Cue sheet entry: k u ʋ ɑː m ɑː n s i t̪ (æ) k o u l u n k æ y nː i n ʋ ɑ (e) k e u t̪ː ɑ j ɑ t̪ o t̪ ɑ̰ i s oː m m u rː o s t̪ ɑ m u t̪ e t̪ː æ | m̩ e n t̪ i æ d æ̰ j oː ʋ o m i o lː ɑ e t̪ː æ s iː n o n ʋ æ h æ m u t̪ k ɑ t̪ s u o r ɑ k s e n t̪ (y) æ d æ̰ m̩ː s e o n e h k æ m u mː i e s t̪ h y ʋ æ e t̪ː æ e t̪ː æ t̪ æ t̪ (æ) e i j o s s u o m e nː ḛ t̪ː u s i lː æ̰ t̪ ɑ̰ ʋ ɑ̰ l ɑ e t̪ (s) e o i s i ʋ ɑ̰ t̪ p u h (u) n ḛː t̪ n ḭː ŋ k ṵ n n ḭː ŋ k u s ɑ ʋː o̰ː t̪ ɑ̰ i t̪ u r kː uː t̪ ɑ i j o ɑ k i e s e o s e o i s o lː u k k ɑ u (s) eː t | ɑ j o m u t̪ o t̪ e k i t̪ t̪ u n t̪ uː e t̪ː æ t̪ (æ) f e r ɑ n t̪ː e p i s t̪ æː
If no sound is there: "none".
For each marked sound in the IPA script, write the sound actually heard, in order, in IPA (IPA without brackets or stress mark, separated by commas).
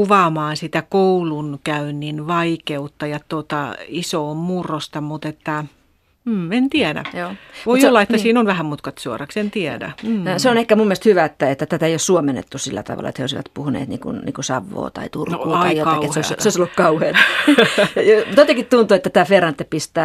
æ, i, i, æ, h, u, h, æː